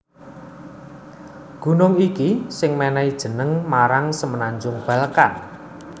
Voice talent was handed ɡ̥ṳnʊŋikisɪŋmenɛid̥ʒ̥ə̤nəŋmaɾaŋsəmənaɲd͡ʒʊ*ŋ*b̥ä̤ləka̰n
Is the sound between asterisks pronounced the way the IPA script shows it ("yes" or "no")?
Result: yes